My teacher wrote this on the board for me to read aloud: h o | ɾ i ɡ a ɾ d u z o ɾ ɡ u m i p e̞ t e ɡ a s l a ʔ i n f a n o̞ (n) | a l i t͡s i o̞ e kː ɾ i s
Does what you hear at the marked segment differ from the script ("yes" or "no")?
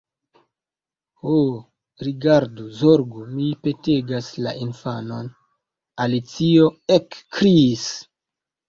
no